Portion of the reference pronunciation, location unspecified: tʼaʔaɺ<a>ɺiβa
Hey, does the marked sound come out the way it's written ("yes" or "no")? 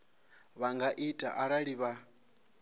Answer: yes